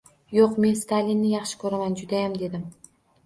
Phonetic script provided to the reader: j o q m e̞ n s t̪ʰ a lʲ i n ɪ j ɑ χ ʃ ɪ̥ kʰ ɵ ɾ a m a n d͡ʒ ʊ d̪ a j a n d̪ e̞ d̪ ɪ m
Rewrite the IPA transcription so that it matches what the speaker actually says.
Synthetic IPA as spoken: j o q m e̞ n s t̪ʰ a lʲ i nː ɪ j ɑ χ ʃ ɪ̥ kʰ ɵ ɾ a m a n d͡ʒ ʊ d̪ a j a m d̪ e̞ d̪ ɪ m